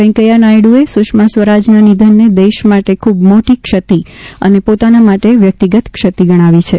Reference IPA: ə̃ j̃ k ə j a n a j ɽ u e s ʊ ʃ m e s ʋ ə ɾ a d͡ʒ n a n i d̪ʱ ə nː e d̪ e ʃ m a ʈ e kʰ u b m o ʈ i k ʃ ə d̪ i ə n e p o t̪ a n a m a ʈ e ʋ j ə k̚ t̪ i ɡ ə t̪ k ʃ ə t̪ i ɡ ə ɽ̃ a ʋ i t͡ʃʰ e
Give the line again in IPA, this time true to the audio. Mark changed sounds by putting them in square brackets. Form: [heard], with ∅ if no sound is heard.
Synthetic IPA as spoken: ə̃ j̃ k ə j a n a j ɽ u e s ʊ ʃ m [a] s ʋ ə ɾ a d͡ʒ n a n i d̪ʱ ə nː e d̪ e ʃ m a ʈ e kʰ u b m o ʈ i k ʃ ə [t̪] i ə n e p o t̪ a n a m a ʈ e ʋ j ə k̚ t̪ i ɡ ə t̪ k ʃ ə t̪ i ɡ ə ɽ̃ a ʋ i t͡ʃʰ e